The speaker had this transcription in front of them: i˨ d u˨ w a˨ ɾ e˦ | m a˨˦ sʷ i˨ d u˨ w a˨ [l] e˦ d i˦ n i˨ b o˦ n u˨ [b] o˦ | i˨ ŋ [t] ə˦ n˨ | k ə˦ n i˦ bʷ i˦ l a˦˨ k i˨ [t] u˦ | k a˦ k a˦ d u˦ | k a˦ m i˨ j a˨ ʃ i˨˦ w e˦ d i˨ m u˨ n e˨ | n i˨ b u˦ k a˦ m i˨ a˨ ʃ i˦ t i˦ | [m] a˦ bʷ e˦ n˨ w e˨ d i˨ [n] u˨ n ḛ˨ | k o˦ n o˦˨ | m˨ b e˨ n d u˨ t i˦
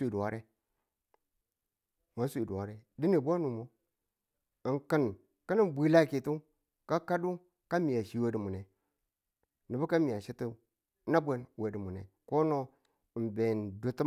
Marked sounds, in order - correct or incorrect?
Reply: incorrect: ɾ, incorrect: m, incorrect: k, correct, incorrect: n, incorrect: m

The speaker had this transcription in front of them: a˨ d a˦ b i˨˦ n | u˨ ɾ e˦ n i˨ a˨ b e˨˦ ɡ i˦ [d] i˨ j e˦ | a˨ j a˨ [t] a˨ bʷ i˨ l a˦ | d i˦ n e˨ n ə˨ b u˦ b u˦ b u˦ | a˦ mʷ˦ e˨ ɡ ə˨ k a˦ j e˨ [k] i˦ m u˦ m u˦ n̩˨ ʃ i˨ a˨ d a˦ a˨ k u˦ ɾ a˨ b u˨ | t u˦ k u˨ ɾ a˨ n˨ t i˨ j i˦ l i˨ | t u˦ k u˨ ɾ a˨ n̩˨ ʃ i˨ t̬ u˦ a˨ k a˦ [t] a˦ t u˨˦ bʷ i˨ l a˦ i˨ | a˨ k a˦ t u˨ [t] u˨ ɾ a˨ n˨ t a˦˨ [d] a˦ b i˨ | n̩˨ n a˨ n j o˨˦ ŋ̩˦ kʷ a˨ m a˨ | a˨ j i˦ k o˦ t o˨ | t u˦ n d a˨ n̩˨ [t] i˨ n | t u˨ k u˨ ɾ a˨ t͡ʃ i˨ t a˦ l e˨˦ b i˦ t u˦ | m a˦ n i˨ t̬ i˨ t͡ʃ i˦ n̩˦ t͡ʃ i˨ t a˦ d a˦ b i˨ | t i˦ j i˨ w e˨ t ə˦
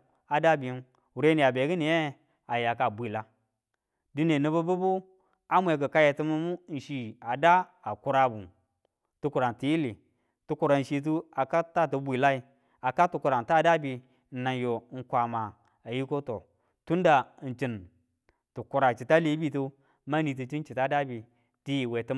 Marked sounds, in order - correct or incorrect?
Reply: incorrect: n, incorrect: k, incorrect: t, correct, incorrect: k, correct, incorrect: t͡ʃ

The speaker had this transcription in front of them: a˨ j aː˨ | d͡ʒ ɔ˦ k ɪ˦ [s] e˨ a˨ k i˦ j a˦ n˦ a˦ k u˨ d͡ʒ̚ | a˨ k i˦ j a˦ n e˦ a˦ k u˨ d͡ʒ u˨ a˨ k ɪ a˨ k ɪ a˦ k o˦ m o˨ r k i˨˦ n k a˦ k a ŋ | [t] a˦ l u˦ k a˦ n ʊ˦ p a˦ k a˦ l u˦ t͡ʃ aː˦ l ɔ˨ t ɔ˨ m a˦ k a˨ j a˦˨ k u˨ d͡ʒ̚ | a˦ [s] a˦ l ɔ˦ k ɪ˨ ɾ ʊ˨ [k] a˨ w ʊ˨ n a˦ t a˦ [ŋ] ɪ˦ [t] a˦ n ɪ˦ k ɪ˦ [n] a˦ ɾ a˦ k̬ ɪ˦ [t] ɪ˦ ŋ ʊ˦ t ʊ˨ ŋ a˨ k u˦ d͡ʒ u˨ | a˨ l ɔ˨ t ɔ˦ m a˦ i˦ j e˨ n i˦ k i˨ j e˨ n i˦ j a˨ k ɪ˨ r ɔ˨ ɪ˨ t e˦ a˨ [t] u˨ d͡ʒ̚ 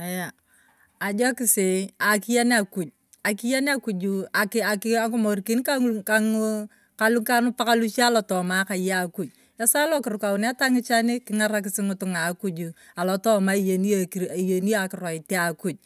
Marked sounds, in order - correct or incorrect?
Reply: correct, incorrect: k, correct, correct, correct, incorrect: t͡ʃ, incorrect: ŋ, incorrect: s, incorrect: k

